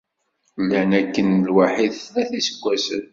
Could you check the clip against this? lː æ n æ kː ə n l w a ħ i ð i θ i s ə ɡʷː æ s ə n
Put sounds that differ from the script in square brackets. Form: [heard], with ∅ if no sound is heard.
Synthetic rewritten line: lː æ n æ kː ə n l w a ħ i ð [æ] θ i s ə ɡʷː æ s ə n